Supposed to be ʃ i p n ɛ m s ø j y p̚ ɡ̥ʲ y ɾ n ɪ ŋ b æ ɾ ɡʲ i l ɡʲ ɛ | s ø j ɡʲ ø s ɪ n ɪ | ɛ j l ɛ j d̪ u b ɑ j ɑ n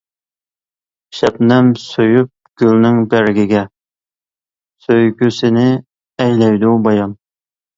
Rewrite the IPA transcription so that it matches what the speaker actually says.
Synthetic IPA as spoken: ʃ ɛ p n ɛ m s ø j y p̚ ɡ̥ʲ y l n ɪ ŋ b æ ɾ ɡʲ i ɡʲ ɛ | s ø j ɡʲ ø s ɪ n ɪ | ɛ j l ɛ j d̪ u b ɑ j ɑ n